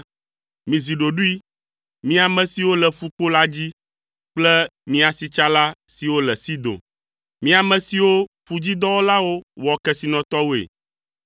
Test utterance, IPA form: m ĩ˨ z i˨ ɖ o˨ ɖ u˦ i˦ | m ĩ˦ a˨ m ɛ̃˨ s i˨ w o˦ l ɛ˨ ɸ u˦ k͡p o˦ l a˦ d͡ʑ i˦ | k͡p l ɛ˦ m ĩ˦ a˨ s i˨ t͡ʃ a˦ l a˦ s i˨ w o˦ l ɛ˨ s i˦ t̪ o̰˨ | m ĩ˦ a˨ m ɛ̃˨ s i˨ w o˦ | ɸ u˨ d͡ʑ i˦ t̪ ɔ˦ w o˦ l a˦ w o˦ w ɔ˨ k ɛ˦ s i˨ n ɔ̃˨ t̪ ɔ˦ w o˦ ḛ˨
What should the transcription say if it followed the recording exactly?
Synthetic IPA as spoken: m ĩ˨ z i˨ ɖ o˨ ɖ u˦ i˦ | m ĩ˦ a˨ m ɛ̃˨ s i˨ w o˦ l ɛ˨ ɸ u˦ k͡p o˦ l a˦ d͡ʑ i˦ | k͡p l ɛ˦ m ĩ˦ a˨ s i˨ t͡ʃ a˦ l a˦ s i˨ w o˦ l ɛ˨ s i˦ d̪ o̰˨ | m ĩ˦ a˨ m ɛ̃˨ s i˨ w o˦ | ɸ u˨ d͡ʑ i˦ d̪ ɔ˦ w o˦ l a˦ w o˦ w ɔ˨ k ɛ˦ s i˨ n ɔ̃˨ t̪ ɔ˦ w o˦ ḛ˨